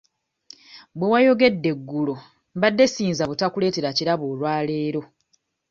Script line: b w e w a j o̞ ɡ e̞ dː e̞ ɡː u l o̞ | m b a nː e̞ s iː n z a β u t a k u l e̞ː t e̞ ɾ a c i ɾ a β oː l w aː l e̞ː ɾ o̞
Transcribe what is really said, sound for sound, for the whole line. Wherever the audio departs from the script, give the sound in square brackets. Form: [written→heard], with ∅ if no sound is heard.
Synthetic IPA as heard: b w e w a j o̞ ɡ e̞ dː e̞ ɡː u l o̞ | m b a [nː→dː] e̞ s iː n z a β u t a k u l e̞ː t e̞ ɾ a c i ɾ a β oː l w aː l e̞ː ɾ o̞